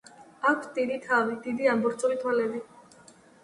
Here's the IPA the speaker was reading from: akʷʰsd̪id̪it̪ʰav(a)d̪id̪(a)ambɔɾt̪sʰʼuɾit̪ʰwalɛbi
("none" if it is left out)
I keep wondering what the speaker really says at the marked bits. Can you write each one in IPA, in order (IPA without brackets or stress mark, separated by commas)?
i, i